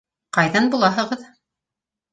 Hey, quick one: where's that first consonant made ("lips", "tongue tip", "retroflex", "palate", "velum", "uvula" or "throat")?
uvula